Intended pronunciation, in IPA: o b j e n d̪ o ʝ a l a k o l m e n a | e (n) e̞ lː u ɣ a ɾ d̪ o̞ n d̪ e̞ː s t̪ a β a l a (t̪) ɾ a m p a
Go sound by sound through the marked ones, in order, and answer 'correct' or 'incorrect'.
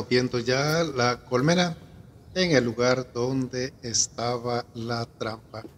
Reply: incorrect: ŋ, correct

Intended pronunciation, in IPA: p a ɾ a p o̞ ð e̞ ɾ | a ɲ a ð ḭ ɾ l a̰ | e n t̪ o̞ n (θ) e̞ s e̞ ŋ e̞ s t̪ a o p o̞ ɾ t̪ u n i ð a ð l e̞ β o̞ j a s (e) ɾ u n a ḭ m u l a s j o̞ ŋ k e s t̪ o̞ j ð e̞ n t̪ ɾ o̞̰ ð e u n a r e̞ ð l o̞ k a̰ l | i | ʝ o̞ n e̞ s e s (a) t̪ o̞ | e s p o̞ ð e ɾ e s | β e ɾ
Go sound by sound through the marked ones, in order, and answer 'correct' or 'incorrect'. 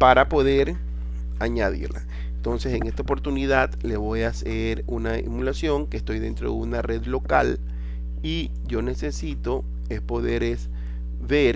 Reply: incorrect: s, correct, incorrect: i

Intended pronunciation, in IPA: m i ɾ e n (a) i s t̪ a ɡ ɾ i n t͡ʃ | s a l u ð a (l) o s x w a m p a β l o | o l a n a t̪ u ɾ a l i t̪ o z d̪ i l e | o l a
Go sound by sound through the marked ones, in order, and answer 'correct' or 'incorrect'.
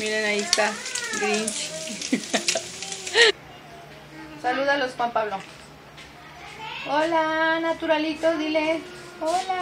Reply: correct, correct

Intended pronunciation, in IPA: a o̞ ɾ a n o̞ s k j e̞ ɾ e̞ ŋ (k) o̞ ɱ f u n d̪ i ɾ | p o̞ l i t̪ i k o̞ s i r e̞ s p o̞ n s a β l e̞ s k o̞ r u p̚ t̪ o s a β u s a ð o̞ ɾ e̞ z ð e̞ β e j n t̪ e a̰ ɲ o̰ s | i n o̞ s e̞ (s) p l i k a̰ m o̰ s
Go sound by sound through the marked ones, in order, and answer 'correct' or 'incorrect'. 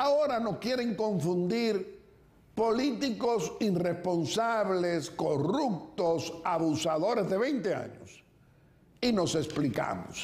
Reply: correct, correct

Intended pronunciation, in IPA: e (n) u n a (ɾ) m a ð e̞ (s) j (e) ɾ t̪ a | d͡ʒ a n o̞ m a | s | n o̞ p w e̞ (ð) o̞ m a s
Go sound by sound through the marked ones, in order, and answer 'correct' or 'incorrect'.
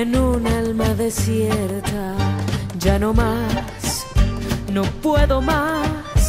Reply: correct, incorrect: l, correct, correct, correct

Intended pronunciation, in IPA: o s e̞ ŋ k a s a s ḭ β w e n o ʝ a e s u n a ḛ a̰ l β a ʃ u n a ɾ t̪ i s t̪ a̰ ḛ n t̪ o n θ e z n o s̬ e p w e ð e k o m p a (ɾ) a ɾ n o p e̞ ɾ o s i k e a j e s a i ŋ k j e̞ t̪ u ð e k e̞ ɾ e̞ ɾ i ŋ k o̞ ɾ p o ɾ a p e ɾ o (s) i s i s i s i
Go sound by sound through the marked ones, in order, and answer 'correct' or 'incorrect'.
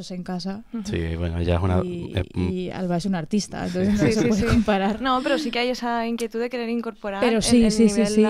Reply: correct, correct

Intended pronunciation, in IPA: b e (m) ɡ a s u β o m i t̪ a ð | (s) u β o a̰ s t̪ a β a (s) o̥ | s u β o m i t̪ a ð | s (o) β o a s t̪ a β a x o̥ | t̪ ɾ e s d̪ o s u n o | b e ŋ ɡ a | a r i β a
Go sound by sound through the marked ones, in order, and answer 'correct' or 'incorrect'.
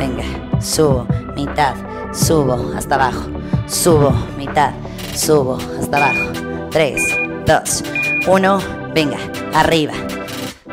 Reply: incorrect: ŋ, correct, incorrect: x, incorrect: u

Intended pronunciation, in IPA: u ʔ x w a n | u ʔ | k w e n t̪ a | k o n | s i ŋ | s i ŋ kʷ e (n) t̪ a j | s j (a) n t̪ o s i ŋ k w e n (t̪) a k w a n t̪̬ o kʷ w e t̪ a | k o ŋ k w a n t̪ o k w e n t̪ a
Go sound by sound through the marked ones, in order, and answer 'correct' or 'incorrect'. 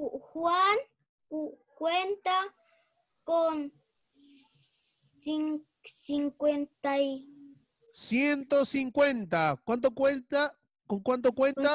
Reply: correct, incorrect: e, correct

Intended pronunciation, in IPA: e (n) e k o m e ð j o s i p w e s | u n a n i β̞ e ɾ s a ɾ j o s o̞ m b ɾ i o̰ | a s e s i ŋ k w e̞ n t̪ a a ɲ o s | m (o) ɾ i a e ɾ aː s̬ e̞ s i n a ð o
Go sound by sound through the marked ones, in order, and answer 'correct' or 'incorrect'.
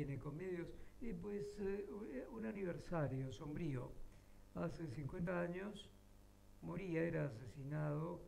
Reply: correct, correct

